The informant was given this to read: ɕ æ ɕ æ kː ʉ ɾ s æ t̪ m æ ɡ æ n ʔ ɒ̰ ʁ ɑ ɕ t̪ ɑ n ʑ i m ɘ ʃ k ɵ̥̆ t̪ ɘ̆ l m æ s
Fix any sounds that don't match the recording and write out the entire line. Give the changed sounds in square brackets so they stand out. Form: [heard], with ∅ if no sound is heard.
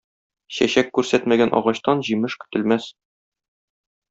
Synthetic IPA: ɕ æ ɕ æ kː ʉ ɾ s æ t̪ m æ ɡ æ n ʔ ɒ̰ ʁ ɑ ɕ t̪ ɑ n ʑ i m ɘ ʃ k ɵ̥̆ t̪ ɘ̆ l m æ s